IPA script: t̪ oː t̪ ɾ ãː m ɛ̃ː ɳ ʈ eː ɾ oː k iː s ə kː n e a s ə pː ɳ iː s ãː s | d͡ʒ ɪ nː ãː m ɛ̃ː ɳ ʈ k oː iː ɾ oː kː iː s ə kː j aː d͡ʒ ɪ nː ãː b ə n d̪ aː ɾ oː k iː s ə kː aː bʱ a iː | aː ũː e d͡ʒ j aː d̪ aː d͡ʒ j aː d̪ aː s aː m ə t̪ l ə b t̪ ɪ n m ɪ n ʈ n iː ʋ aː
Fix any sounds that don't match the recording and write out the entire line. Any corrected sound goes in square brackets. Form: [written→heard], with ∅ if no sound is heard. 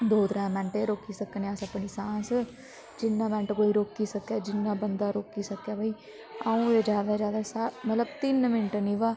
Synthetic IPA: [t̪→d̪] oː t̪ ɾ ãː m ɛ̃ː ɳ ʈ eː ɾ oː k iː s ə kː n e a s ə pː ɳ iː s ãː s | d͡ʒ ɪ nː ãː m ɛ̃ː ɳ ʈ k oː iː ɾ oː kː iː s ə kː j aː d͡ʒ ɪ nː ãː b ə n d̪ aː ɾ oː k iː s ə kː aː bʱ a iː | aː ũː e d͡ʒ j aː d̪ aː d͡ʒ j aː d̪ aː s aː m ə t̪ l ə b t̪ ɪ n m ɪ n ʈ n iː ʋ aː